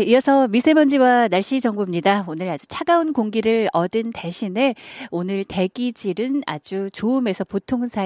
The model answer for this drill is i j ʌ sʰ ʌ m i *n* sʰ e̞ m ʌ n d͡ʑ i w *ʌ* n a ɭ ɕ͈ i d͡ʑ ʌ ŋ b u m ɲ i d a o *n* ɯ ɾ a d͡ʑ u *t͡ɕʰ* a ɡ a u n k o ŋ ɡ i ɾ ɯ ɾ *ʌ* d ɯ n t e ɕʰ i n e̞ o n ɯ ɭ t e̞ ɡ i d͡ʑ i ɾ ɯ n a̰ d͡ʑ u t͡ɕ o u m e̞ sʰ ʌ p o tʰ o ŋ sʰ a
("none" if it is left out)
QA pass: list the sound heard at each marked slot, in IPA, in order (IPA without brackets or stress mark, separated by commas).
none, a, n, t͡ɕʰ, ʌ